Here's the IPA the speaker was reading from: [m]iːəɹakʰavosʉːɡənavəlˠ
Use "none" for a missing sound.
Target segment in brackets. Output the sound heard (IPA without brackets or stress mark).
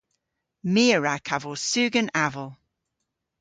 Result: m